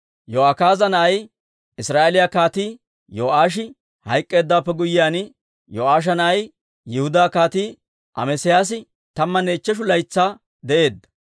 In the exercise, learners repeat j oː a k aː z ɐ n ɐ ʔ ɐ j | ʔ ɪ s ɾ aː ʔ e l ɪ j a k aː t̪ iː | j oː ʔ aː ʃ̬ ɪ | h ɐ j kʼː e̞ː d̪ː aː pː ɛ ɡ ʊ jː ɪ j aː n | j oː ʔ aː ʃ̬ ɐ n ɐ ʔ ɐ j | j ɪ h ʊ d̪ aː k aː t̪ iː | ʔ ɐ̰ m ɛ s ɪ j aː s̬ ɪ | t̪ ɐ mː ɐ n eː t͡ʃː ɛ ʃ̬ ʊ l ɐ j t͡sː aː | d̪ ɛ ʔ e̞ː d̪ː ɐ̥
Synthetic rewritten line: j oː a k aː z ɐ n ɐ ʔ ɐ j | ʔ ɪ s ɾ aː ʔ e l ɪ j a k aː t̪ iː | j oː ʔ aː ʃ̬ ɪ | h ɐ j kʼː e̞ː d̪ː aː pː ɛ ɡ ʊ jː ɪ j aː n | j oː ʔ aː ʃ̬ ɐ n ɐ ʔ ɐ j | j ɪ h ʊ d̪ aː k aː t̪ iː | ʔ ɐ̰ m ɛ s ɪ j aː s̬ ɪ | t̪ ɐ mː ɐ n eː t͡ʃː ɛ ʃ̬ ʊ l ɐ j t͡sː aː | d̪ ɛ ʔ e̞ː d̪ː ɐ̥